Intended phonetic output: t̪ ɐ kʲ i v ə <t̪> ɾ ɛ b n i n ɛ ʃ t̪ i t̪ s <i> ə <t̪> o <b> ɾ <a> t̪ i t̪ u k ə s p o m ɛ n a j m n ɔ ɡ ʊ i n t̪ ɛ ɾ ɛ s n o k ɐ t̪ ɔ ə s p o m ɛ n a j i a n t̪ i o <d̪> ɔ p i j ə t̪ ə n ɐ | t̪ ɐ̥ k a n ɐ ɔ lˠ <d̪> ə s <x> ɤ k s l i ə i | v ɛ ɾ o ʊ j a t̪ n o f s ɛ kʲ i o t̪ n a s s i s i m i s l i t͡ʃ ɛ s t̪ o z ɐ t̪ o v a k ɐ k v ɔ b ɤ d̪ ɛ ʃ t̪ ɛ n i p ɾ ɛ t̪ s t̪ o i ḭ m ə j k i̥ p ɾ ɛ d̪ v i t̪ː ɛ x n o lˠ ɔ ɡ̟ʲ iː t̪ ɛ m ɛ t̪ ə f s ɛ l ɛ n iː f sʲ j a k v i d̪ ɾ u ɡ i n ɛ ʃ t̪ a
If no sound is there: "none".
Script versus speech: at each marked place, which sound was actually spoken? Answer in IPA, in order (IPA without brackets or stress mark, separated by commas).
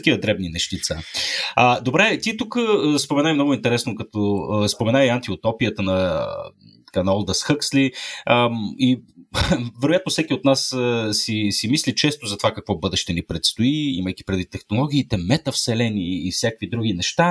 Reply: d̪, a, d̪, b, ɛ, t̪, d̪, x